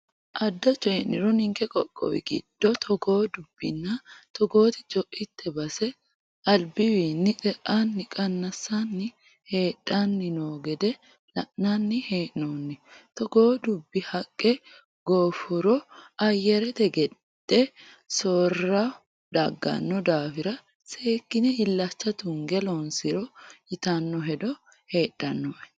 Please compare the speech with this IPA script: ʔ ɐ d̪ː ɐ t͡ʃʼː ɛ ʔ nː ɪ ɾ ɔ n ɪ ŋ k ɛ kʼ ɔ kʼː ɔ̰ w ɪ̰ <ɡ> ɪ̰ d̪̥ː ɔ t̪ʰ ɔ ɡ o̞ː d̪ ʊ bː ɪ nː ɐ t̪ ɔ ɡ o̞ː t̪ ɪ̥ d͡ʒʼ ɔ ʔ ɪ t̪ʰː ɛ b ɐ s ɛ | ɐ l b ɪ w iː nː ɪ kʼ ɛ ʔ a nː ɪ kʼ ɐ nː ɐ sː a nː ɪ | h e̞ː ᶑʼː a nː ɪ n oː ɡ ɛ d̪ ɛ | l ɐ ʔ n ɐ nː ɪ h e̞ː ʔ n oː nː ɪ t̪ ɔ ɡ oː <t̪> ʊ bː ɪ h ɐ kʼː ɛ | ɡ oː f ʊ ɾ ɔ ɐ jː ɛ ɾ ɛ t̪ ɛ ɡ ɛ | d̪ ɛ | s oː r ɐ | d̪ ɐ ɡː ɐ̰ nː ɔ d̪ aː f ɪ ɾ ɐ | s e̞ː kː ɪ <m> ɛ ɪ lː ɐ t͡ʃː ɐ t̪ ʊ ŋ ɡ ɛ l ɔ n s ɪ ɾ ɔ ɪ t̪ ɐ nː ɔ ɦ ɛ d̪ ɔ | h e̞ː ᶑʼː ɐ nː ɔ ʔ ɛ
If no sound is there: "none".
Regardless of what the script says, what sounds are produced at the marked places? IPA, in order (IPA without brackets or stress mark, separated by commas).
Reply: ɡ, d̪, n